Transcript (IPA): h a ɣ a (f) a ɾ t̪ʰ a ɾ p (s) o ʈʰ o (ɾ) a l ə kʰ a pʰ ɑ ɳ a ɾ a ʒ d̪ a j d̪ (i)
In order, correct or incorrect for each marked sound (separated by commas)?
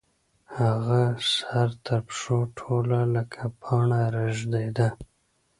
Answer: incorrect, incorrect, incorrect, incorrect